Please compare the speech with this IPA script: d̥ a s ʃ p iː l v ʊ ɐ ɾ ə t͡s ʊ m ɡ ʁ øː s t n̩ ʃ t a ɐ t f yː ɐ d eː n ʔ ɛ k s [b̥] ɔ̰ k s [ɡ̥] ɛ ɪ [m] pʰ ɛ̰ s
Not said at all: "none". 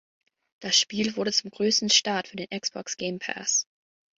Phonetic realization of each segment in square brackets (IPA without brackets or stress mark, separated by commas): b̥, ɡ̥, m